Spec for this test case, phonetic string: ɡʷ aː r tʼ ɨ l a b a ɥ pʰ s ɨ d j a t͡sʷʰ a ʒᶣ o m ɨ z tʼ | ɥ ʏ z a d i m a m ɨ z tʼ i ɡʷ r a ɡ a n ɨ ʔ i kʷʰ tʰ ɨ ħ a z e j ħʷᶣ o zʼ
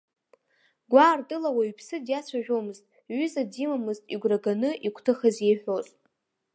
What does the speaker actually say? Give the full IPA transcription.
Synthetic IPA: ɡʷ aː r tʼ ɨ l a w a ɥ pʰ s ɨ d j a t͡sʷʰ a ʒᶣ o m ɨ z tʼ | ɥ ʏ z a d i m a m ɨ z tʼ i ɡʷ r a ɡ a n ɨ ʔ i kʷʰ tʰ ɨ χ a z e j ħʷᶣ o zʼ

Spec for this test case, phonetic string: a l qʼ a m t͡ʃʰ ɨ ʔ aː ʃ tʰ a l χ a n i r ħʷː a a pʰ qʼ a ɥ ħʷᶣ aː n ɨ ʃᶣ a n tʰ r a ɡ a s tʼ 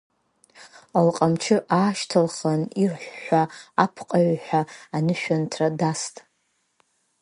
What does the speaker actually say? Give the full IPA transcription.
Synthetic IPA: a l qʼ a m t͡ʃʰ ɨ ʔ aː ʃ tʰ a l χ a n i r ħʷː a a pʰ qʼ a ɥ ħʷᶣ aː n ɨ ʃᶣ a n tʰ r a d a s tʼ

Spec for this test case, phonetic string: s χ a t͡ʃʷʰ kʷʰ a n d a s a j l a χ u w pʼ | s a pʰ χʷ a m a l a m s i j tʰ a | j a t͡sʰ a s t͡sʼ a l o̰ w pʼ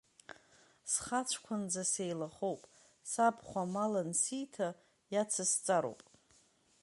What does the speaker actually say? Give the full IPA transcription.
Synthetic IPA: s χ a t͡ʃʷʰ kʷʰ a n d͡z a s e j l a χ o w pʼ | s a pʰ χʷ a m a l a n s i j tʰ a | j a t͡sʰ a s t͡sʼ a ɾ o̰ w pʼ

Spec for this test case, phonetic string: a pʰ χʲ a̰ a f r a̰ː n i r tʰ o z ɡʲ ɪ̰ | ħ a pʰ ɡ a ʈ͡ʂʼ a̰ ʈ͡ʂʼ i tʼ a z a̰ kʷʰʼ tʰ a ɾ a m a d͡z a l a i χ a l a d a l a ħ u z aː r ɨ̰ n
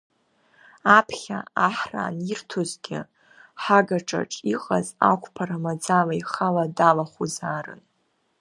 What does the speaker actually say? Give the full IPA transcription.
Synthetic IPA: a pʰ χʲ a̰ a ħ r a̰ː n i r tʰ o z ɡʲ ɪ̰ | ħ a ɡ a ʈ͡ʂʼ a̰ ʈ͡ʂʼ i qʼ a z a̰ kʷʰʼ pʰ a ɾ a m a d͡z a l a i χ a l a d a l a χ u z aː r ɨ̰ n

